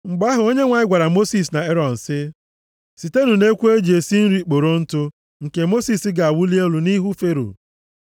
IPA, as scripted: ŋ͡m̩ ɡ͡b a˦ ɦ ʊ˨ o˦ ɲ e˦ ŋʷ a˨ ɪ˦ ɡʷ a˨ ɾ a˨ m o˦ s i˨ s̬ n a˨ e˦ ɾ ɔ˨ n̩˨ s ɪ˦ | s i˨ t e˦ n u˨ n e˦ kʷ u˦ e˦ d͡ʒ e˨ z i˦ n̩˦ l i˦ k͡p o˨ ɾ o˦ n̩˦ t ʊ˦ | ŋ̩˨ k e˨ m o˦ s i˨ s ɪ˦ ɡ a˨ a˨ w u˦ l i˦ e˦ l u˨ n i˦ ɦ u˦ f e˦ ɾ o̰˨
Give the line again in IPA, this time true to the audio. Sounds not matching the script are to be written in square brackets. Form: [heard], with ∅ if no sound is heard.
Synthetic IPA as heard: ŋ͡m̩ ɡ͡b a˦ ɦ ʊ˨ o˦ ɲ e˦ ŋʷ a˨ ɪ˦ ɡʷ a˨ ɾ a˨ m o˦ s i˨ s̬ n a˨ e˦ ɾ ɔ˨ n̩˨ s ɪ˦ | s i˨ t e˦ n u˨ n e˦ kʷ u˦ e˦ d͡ʒ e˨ [s] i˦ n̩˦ [ɾ] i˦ k͡p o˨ ɾ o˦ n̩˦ t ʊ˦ | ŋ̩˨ k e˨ m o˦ s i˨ s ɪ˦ ɡ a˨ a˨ w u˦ l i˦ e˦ l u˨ n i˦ ɦ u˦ f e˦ ɾ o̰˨